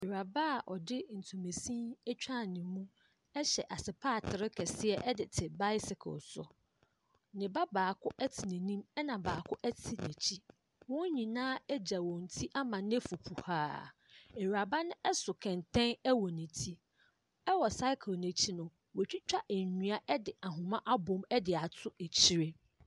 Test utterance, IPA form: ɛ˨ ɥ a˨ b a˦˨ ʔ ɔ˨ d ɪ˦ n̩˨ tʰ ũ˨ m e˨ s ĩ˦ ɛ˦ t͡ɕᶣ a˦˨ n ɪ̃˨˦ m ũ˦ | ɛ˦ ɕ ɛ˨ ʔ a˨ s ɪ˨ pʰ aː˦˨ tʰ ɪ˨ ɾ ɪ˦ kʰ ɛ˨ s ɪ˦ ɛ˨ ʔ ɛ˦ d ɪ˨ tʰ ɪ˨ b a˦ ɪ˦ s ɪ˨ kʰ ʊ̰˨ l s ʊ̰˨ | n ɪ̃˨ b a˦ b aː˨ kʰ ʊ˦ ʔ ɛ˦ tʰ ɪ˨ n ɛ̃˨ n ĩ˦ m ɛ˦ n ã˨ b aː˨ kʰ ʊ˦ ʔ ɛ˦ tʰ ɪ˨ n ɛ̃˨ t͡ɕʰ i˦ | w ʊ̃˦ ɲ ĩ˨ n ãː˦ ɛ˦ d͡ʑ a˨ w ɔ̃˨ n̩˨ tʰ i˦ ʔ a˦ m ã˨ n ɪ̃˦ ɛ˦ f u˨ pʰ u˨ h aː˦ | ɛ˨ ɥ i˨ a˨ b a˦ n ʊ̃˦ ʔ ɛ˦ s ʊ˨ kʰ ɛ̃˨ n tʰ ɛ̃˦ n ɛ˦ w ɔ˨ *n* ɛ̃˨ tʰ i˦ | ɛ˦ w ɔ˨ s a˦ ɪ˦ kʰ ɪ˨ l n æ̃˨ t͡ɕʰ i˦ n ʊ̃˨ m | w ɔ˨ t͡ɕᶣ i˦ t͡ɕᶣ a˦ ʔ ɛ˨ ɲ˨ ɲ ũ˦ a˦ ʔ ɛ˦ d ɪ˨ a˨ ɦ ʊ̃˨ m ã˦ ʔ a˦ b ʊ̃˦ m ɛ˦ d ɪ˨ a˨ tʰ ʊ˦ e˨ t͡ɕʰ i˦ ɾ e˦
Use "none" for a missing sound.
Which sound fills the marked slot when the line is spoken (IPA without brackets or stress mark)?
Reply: n